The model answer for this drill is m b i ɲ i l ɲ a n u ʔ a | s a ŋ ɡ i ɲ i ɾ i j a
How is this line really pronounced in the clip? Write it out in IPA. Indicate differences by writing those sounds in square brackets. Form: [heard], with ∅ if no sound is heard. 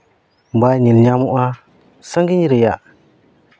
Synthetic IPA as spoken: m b [a] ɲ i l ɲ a [m] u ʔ a | s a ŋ ɡ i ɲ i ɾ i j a